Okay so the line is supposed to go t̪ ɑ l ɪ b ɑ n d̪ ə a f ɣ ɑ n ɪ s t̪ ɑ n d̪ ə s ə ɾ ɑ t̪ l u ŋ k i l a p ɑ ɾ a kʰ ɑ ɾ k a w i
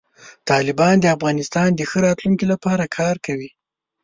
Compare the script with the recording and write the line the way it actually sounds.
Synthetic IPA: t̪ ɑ l ɪ b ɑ n d̪ ə a f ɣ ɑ n ɪ s t̪ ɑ n d̪ ə x ə ɾ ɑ t̪ l u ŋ k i l a p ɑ ɾ a kʰ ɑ ɾ k a w i